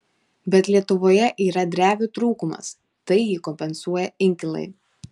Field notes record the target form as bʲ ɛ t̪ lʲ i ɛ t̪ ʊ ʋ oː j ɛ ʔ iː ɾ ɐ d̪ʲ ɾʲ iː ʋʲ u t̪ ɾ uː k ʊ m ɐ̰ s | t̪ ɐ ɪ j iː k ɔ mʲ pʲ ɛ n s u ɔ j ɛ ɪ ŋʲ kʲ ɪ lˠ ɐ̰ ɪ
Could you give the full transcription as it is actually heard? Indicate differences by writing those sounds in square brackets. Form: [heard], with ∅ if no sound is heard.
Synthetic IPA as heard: bʲ ɛ t̪ lʲ i ɛ t̪ ʊ ʋ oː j ɛ ʔ iː ɾ ɐ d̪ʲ ɾʲ [æː] ʋʲ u t̪ ɾ uː k ʊ m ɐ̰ s | t̪ ɐ ɪ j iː k ɔ mʲ pʲ ɛ n s u ɔ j ɛ ɪ ŋʲ kʲ ɪ lˠ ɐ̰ ɪ